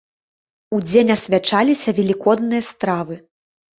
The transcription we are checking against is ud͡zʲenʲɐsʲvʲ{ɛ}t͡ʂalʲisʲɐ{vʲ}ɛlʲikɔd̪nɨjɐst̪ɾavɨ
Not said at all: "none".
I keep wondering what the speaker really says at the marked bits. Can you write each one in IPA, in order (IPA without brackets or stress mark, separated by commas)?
a, vʲ